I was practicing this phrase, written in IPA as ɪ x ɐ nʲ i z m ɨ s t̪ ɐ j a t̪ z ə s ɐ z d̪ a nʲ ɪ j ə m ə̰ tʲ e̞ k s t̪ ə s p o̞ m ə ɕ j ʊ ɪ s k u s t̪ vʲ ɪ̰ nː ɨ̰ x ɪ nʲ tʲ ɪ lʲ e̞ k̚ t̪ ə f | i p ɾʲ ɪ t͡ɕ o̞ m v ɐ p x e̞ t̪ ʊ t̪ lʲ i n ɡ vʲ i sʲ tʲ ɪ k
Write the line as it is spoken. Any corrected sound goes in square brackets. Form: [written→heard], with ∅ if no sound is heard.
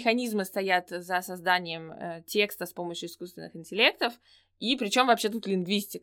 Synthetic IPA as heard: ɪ x ɐ nʲ i z m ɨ s t̪ ɐ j a t̪ z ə s ɐ z d̪ a nʲ ɪ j ə m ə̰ tʲ e̞ k s t̪ ə s p o̞ m ə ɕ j ʊ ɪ s k u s t̪ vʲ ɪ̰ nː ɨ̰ x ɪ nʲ tʲ ɪ lʲ e̞ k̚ t̪ ə f | i p ɾʲ ɪ t͡ɕ o̞ m v ɐ p [x→ɕ] e̞ t̪ [ʊ→u] t̪ lʲ [i→ɪ] n ɡ vʲ i sʲ tʲ ɪ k